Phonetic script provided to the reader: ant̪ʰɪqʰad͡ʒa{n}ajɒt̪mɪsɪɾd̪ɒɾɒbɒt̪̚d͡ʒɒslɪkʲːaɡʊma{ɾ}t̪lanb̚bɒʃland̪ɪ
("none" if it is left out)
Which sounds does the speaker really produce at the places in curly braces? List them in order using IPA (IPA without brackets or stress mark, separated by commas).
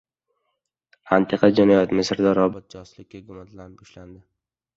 n, none